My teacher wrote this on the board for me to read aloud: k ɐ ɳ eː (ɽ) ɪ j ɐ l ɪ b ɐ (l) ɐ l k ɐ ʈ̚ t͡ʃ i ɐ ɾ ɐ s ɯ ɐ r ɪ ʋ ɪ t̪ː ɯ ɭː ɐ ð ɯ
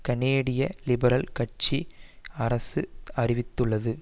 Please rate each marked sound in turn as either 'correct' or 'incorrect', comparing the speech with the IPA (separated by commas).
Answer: correct, incorrect